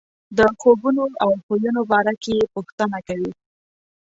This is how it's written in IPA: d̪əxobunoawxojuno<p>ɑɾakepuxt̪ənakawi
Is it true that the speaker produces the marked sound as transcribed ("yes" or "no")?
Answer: no